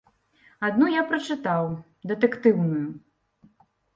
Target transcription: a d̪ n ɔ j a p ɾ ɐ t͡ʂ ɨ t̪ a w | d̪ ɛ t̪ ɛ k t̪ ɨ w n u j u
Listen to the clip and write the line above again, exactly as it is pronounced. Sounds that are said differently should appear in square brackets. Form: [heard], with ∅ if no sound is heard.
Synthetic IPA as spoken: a d̪ n [u] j a p ɾ ɐ t͡ʂ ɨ t̪ a w | d̪ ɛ t̪ ɛ k t̪ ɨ w n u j u